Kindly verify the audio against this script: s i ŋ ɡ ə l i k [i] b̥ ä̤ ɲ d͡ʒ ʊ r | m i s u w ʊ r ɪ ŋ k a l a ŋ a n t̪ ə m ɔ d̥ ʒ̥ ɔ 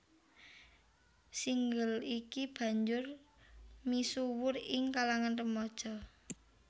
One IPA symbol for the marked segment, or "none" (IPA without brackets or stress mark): i